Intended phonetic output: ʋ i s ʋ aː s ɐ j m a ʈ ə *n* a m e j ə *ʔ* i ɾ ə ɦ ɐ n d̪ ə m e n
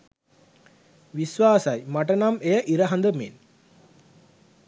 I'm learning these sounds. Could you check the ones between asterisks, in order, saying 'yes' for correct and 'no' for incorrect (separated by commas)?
yes, yes